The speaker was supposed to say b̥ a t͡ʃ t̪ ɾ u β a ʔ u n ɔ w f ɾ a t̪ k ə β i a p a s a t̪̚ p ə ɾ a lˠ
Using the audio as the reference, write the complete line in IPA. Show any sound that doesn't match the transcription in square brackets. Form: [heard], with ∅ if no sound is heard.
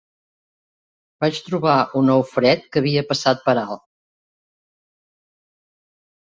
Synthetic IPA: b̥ a t͡ʃ t̪ ɾ u β a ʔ u n ɔ w f ɾ [ɛ] t̪ k ə β i [ə] p [ə] s a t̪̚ p ə ɾ a lˠ